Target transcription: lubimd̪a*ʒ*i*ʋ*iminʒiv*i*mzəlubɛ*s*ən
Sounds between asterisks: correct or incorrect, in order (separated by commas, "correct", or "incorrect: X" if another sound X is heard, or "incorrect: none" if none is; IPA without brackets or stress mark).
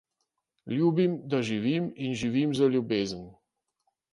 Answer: correct, incorrect: v, correct, incorrect: z